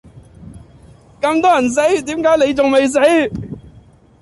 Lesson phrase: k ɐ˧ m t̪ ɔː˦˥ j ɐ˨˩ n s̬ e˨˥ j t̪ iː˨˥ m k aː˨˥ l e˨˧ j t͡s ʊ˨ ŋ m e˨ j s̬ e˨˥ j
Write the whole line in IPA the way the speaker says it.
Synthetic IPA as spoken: k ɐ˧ m t̪ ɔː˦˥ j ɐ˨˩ n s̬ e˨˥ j t̪ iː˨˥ m k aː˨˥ l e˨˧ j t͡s ʊ˨ ŋ m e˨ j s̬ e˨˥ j

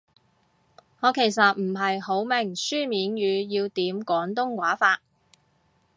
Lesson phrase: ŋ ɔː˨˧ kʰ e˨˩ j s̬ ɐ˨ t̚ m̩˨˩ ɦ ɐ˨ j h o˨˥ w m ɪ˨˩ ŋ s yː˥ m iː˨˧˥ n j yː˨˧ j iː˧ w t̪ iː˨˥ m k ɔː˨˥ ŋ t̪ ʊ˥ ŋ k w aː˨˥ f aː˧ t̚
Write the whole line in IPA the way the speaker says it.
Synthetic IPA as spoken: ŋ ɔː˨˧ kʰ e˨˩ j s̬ ɐ˨ t̚ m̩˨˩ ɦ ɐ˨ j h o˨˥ w m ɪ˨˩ ŋ s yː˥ m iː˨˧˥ n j yː˨˧ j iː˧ w t̪ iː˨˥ m k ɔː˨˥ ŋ t̪ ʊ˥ ŋ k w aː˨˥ f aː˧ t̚

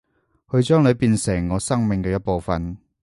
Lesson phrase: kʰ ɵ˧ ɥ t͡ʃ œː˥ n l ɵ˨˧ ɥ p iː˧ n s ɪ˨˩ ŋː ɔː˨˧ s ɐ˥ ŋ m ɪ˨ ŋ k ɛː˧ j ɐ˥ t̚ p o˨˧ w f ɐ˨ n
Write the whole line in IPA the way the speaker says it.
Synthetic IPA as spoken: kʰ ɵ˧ ɥ t͡ʃ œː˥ ŋ l ɵ˨˧ ɥ p iː˧ n s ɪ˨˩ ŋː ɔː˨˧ s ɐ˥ ŋ m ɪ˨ ŋ k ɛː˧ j ɐ˥ t̚ p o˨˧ w f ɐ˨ n

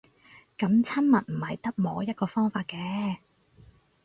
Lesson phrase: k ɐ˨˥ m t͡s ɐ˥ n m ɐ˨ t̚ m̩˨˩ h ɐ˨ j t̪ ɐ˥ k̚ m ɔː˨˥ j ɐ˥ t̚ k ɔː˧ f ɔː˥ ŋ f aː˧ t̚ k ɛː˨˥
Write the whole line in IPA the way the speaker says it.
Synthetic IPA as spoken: k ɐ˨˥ m t͡sʰ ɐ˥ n m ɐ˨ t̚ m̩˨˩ h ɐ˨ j t̪ ɐ˥ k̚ m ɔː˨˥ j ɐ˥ t̚ k ɔː˧ f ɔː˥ ŋ f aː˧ t̚ k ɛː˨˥

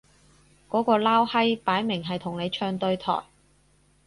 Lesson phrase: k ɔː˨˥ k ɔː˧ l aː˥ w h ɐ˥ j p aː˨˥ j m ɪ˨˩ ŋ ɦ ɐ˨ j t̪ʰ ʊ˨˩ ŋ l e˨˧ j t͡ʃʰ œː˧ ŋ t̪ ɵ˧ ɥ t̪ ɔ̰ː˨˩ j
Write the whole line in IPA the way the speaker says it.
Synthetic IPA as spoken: k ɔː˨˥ k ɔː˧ l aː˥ w h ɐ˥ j p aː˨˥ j m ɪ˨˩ ŋ ɦ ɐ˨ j t̪ʰ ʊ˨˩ ŋ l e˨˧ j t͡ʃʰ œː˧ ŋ t̪ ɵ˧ ɥ t̪ʰ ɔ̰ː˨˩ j

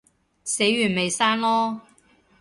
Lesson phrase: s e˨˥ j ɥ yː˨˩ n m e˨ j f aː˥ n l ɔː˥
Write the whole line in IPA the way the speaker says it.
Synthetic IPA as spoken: s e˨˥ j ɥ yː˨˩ n m e˨ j s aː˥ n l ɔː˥

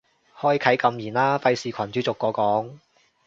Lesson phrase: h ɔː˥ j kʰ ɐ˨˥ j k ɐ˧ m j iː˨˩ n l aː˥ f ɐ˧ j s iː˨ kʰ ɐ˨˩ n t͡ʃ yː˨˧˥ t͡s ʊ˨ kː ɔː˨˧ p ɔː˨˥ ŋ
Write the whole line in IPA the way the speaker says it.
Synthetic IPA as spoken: h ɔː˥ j kʰ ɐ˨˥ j k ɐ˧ m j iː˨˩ n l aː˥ f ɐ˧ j s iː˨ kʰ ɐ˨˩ n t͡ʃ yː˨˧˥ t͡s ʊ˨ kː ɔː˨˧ k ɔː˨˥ ŋ

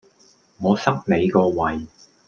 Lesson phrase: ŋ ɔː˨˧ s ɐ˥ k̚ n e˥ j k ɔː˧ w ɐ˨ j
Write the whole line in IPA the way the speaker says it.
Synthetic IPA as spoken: ŋ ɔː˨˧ s ɐ˥ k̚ n e˨˧ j k ɔː˧ w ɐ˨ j

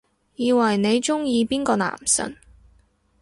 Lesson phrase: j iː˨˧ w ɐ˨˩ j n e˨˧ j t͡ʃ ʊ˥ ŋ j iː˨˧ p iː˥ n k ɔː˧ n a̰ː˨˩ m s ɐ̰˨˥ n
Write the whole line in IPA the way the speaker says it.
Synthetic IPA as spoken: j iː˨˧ w ɐ˨˩ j n e˨˧ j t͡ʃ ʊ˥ ŋ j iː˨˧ p iː˥ n k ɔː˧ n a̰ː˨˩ m s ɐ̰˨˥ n

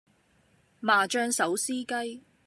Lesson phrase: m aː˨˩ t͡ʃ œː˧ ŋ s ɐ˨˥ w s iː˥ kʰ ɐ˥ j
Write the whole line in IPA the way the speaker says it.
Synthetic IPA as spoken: m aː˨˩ t͡ʃ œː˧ ŋ s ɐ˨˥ w s iː˥ k ɐ˥ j

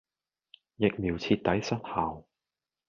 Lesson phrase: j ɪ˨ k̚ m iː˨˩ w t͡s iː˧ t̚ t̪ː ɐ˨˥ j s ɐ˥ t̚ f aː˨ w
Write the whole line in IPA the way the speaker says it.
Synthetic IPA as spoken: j ɪ˨ k̚ m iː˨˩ w t͡sʰ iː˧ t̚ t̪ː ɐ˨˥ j s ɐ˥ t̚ h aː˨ w

